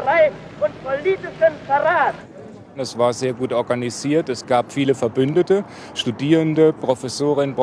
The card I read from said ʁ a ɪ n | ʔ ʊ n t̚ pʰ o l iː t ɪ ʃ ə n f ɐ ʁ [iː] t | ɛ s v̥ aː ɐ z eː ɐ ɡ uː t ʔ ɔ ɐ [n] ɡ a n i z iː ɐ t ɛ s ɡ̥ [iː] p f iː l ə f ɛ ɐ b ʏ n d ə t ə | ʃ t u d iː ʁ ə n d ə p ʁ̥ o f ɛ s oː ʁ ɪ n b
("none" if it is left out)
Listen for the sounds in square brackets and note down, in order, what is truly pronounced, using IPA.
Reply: aː, none, aː

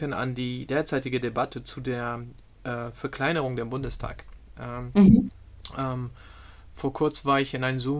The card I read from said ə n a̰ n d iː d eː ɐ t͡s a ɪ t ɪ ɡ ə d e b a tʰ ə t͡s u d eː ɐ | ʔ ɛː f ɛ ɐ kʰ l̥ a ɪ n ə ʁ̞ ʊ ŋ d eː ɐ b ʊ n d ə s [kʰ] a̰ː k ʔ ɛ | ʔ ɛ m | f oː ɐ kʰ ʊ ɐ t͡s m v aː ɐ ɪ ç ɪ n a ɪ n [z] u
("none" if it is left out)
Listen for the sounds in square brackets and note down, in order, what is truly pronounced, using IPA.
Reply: tʰ, z

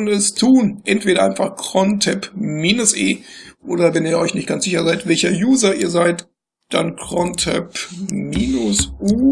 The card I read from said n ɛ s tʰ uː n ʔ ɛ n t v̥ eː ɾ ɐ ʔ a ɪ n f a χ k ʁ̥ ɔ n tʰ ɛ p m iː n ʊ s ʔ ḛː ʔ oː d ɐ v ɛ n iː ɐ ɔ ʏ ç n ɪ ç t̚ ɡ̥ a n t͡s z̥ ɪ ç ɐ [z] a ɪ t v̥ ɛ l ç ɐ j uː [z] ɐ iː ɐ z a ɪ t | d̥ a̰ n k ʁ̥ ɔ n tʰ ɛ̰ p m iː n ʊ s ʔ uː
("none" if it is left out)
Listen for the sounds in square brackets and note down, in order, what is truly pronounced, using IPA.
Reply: z, z

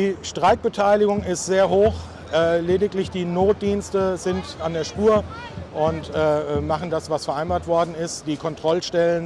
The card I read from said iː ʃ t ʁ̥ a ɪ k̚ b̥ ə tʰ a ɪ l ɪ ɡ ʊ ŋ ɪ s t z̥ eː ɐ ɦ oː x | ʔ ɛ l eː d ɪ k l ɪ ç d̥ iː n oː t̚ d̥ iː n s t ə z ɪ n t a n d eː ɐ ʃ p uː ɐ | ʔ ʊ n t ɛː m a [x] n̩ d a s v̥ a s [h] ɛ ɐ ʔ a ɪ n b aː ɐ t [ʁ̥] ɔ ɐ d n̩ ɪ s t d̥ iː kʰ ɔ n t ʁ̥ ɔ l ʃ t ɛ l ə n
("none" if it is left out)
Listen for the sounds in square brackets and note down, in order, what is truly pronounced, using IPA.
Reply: χ, f, v̥

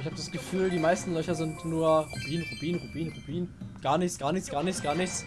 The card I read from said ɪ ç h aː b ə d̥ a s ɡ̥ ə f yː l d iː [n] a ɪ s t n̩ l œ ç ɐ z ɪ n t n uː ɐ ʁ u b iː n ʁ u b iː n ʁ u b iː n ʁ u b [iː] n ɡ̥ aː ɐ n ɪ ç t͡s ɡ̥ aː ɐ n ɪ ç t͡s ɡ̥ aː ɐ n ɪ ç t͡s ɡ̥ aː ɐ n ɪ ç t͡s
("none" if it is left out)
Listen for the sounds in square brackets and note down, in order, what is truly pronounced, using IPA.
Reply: m, iː

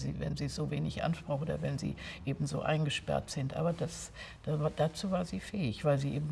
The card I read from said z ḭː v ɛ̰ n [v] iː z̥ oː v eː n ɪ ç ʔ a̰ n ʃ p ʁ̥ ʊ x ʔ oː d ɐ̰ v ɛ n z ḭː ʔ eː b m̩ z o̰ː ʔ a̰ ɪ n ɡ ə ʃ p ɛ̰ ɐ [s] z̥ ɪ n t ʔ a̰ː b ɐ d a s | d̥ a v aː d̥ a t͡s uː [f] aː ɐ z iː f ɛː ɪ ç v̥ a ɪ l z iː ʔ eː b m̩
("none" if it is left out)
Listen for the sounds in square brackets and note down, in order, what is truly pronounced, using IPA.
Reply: z, t, v

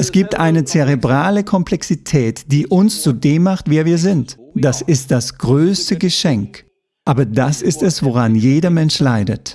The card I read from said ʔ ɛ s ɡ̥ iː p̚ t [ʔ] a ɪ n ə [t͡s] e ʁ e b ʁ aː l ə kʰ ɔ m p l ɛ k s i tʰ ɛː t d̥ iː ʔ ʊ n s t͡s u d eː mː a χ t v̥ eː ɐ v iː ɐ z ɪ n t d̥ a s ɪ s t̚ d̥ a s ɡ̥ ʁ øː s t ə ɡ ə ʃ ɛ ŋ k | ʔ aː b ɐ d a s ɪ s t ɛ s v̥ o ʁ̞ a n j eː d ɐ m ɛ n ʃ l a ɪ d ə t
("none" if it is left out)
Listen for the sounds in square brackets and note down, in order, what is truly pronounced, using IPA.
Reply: ʔ, t͡s

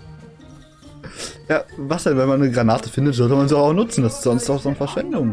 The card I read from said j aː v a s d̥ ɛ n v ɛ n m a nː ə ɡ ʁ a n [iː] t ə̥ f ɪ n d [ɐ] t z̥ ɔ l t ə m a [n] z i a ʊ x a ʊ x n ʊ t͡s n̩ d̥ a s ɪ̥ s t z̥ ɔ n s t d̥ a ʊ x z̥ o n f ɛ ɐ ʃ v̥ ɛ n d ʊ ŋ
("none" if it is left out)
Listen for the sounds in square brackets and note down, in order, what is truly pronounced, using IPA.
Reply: aː, ə, n

